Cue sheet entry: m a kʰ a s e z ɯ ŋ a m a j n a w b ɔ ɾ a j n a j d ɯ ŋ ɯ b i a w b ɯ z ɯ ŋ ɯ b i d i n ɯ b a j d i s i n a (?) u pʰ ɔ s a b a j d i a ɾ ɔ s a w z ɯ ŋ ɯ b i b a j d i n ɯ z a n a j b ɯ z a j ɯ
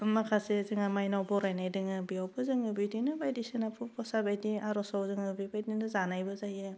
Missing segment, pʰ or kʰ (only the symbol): pʰ